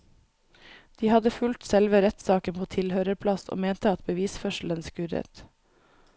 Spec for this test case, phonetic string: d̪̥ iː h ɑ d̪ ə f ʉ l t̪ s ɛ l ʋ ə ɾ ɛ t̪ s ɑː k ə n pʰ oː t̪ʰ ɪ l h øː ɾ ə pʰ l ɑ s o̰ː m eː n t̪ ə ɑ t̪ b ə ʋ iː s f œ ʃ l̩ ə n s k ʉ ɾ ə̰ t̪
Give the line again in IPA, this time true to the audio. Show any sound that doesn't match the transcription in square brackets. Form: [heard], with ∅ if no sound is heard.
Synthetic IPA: d̪̥ iː h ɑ d̪ ə f ʉ l t̪ s ɛ l ʋ ə ɾ ɛ t̪ s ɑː k ə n pʰ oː t̪ʰ ɪ l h øː ɾ ə pʰ l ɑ s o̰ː m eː n t̪ ə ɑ t̪ b ə ʋ iː s f œ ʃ l̩ ə n s k ʉ ɾ ə̰ t̪